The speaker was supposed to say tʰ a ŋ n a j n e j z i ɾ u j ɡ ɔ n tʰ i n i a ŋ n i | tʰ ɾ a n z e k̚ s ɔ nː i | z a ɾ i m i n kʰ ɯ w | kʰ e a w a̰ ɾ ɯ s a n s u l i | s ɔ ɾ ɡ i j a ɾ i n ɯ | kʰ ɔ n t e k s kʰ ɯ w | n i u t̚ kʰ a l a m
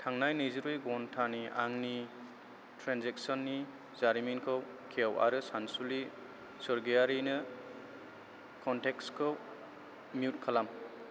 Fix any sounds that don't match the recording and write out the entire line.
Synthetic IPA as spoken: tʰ a ŋ n a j n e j z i ɾ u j ɡ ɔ n tʰ a n i a ŋ n i | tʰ ɾ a n z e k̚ s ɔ nː i | z a ɾ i m i n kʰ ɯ w | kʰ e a w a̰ ɾ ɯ s a n s u l i | s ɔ ɾ ɡ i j a ɾ i n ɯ | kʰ ɔ n t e k s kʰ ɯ w | m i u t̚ kʰ a l a m